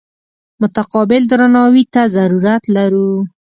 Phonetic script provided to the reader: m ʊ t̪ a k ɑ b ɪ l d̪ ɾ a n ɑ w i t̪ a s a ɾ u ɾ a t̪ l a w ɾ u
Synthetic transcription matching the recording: m ʊ t̪ a q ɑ b ɪ l d̪ ɾ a n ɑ w i t̪ a z a ɾ u ɾ a t̪ l a ɾ u